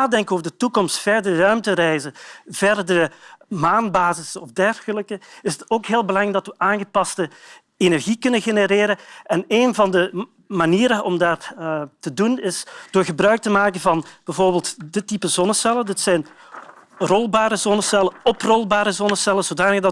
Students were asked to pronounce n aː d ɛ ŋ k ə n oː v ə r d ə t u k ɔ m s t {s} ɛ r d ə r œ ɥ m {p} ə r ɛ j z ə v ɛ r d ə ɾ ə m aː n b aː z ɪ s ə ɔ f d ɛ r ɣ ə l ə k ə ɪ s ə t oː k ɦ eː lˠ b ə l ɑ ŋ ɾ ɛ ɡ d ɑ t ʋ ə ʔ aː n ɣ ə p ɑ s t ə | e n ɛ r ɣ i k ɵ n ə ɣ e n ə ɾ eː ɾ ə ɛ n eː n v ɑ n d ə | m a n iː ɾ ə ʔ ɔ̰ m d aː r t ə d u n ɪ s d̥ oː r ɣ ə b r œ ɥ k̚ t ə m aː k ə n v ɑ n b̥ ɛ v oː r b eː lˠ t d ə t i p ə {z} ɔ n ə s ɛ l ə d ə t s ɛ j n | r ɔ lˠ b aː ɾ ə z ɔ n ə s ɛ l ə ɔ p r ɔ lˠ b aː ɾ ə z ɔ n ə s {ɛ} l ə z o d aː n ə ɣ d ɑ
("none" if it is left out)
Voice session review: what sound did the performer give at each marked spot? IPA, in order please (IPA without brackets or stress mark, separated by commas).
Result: f, t, z, ɛ